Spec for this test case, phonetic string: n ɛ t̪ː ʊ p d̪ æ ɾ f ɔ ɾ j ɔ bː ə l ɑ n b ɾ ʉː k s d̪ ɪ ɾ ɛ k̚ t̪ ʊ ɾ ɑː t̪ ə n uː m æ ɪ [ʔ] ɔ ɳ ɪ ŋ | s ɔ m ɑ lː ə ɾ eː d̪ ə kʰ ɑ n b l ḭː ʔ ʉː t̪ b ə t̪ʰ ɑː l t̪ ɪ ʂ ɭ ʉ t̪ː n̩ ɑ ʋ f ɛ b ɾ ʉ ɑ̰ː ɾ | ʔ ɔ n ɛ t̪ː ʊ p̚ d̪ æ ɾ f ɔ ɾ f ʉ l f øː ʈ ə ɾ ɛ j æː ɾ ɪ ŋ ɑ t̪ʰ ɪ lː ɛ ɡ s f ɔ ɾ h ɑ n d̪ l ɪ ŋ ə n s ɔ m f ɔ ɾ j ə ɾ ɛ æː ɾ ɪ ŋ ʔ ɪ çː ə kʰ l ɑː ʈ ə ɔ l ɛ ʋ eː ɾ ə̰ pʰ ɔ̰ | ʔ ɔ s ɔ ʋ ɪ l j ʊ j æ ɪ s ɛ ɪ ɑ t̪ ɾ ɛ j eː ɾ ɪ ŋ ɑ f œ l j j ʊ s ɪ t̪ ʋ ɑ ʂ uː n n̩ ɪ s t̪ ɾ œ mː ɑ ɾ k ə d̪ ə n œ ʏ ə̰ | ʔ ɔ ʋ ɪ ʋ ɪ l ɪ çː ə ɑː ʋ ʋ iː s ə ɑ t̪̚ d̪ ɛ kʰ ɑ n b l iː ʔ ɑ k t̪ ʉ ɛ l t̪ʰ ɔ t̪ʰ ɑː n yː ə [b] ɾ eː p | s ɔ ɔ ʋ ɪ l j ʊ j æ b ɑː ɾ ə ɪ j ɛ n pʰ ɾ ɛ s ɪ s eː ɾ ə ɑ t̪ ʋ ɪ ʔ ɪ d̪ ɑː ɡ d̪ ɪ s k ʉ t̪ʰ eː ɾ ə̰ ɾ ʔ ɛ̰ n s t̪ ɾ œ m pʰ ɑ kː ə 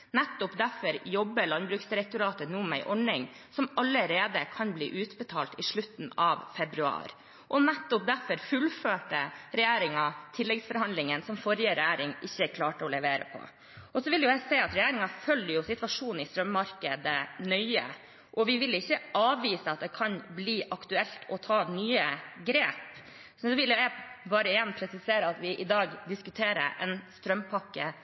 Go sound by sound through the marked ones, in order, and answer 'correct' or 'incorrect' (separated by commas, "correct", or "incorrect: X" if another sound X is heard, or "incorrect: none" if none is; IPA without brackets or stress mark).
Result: correct, incorrect: ɡ